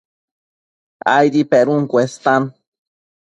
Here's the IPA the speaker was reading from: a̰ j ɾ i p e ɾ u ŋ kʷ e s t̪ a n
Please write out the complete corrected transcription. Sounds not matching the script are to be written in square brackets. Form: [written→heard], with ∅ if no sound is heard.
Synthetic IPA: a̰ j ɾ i p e ɾ u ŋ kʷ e s t̪ a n